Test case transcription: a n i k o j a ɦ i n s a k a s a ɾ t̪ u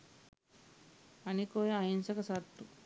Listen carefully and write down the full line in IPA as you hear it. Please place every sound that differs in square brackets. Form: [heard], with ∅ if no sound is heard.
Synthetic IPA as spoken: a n i k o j a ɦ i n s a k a s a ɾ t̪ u